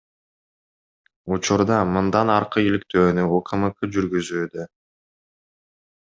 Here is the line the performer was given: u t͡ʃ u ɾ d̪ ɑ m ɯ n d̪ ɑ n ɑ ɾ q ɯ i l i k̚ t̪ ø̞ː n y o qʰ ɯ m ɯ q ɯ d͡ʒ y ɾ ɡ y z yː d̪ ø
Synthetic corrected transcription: u t͡ʃ u ɾ d̪ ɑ m ɯ n d̪ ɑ n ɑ ɾ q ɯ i l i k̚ t̪ ø̞ː n y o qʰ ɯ m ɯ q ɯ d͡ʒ y ɾ ɡ y z yː d̪ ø

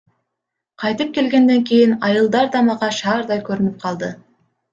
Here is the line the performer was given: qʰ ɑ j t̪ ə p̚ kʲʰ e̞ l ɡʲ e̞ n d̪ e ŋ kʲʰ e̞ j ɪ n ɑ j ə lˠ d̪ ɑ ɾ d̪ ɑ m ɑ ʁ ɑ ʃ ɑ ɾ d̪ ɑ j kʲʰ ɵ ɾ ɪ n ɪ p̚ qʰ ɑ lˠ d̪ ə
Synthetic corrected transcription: qʰ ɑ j t̪ ə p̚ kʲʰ e̞ l ɡʲ e̞ n d̪ e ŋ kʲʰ e̞ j ɪ n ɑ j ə lˠ d̪ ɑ ɾ d̪ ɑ m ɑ ʁ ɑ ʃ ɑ ɾ d̪ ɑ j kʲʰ ɵ ɾ ɪ n ɪ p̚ qʰ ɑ lˠ d̪ ə

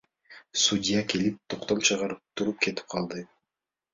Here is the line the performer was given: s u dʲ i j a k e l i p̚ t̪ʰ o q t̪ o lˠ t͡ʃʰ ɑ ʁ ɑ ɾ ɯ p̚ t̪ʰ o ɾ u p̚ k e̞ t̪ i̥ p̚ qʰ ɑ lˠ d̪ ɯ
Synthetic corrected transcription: s u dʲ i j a k e l i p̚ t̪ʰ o q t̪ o lˠ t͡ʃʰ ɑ ʁ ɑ ɾ ɯ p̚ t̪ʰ u ɾ u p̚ k e̞ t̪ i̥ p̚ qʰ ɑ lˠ d̪ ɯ

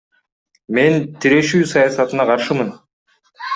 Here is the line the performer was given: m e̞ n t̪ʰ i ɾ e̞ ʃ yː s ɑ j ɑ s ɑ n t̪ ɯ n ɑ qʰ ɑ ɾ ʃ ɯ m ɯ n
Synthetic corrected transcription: m e̞ n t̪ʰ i ɾ e̞ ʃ yː s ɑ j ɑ s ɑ t̪ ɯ n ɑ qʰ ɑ ɾ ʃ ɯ m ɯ n

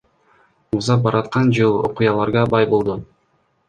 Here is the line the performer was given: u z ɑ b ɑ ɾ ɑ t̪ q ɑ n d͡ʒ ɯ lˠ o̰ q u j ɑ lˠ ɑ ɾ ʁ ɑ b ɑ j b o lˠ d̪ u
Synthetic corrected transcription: u z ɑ b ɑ ɾ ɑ t̪ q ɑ n d͡ʒ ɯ lˠ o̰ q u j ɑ lˠ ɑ ɾ ʁ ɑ b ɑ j b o lˠ d̪ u

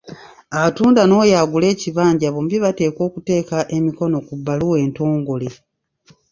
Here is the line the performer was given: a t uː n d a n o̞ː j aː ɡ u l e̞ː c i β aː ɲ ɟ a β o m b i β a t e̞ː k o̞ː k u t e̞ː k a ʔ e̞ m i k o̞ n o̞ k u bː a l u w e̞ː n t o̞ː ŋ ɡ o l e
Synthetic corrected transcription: a t uː n d a n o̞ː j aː ɡ u l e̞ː c i β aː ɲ ɟ a β o m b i β a t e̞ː k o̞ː k u t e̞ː k a ʔ e̞ m i k o̞ n o̞ k u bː a l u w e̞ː n t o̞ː ŋ ɡ o l e

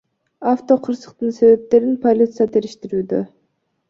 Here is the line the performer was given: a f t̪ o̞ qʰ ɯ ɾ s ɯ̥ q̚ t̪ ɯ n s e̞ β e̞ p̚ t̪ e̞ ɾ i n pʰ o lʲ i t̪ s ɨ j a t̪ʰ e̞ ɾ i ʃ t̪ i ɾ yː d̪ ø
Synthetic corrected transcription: a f t̪ o̞ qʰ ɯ ɾ s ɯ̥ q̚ t̪ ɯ n s e̞ β e̞ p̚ t̪ e̞ ɾ i n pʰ o lʲ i t̪ s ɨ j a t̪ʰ e̞ ɾ i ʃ t̪ i ɾ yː d̪ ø

